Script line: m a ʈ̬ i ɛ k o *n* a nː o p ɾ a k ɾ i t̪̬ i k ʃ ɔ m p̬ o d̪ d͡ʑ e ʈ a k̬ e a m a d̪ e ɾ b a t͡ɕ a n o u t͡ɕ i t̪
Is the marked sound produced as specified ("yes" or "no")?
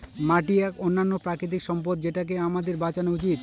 no